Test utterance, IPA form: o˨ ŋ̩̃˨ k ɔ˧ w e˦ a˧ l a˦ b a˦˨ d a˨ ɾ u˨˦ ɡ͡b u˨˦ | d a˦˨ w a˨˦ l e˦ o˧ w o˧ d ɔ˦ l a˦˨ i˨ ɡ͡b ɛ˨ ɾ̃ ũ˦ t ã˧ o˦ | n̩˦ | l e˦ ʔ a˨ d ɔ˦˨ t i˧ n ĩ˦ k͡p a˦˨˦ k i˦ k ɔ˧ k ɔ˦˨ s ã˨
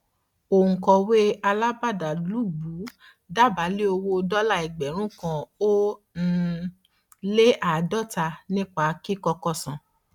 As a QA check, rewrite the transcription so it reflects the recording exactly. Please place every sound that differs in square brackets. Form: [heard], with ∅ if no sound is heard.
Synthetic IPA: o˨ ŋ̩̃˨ k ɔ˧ w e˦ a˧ l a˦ b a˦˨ d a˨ [l] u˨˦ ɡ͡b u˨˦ | d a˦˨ [b] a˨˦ l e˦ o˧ w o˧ d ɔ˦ l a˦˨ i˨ ɡ͡b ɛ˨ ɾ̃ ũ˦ [k] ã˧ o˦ | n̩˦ | l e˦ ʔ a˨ d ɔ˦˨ t [a˧] n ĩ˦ k͡p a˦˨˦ k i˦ k ɔ˧ k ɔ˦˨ s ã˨